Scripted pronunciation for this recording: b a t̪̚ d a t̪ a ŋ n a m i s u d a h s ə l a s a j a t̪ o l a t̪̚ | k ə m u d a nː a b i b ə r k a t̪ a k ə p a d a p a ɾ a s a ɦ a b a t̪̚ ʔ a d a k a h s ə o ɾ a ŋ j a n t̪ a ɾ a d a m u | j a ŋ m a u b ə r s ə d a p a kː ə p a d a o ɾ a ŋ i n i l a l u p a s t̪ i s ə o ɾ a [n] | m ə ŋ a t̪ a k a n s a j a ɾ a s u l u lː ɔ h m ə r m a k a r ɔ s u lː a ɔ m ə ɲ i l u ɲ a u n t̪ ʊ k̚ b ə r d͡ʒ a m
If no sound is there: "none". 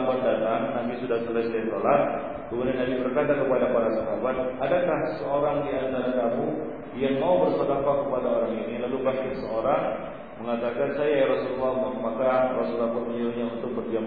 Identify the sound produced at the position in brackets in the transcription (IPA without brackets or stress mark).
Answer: ŋ